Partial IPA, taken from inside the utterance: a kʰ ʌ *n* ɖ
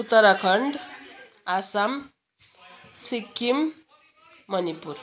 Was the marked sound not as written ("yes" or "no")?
yes